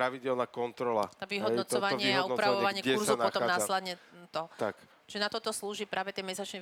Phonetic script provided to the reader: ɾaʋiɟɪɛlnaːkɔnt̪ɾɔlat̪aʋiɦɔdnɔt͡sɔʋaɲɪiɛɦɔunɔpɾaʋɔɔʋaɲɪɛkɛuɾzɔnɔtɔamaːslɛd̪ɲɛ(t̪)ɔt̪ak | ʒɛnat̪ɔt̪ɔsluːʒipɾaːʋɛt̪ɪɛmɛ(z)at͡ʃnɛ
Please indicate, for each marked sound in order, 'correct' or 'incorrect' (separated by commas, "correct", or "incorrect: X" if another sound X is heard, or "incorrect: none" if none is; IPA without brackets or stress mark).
correct, incorrect: s